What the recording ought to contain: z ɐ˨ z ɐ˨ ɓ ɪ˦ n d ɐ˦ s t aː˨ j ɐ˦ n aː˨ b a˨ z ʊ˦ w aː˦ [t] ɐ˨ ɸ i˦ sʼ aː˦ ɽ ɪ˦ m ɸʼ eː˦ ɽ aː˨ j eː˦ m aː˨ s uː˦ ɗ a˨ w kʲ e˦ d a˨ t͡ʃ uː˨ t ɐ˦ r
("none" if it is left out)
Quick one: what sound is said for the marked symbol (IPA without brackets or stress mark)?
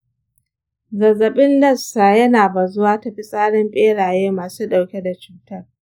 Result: t